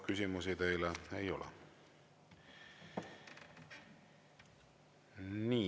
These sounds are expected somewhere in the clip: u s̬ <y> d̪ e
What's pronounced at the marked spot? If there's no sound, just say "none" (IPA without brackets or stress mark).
i